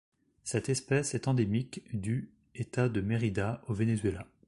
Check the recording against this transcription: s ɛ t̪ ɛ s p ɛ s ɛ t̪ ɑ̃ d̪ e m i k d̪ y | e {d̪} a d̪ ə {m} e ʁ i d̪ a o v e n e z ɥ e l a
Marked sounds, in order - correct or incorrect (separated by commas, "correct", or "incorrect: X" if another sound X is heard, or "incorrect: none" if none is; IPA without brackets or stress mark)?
incorrect: t̪, correct